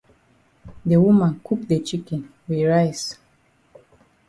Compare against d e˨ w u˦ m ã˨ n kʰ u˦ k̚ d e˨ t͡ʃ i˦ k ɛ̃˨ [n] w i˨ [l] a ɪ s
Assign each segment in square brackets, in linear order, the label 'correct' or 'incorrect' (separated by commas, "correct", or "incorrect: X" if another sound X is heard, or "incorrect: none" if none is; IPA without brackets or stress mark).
correct, incorrect: ɹ